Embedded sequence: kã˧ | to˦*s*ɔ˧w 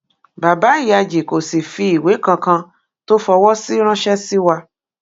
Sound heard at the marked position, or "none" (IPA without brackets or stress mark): f